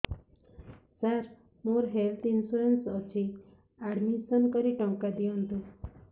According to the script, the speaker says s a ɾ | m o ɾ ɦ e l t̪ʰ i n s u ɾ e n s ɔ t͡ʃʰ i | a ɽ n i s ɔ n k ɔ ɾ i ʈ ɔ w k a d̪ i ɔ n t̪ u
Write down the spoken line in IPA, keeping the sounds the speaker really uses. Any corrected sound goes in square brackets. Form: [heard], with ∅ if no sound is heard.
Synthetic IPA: s a ɾ | m o ɾ ɦ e l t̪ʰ i n s u ɾ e n s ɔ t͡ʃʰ i | a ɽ [m] i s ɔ n k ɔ ɾ i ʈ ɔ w k a d̪ i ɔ n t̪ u